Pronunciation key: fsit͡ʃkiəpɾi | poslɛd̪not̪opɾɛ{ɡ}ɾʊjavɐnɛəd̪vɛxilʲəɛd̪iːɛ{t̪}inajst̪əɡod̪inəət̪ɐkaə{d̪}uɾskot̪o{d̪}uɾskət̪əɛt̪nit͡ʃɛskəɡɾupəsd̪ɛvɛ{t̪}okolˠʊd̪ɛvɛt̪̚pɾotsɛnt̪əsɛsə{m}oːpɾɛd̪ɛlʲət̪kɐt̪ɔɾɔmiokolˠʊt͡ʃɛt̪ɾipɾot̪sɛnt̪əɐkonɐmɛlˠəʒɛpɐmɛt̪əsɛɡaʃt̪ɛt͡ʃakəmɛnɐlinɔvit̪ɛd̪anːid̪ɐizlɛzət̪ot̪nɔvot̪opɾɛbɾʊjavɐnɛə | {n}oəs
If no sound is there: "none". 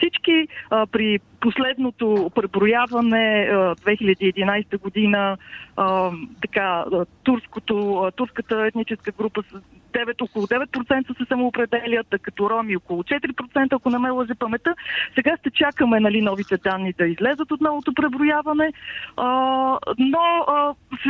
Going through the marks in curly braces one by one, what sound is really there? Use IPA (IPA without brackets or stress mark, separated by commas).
b, d̪, t̪, t̪, t̪, m, n